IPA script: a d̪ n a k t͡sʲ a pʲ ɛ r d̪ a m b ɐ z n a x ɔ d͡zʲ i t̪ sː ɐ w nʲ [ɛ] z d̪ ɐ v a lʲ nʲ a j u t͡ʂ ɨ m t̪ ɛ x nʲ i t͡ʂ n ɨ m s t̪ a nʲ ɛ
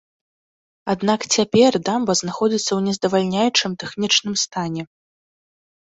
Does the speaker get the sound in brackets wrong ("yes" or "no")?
no